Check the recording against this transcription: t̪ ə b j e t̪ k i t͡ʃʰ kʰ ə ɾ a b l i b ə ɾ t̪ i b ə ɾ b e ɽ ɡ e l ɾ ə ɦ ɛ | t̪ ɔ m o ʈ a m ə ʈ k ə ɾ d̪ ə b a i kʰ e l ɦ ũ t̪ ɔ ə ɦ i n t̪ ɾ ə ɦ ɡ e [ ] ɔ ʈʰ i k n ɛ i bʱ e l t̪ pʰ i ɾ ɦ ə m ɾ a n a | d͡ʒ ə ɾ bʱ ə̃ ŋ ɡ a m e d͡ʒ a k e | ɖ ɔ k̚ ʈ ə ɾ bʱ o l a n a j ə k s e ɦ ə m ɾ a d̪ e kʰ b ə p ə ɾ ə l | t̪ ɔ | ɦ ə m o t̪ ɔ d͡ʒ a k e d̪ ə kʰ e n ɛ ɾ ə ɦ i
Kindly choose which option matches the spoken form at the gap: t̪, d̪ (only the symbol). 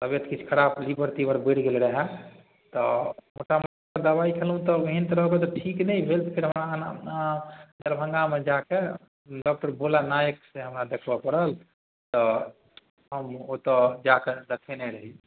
t̪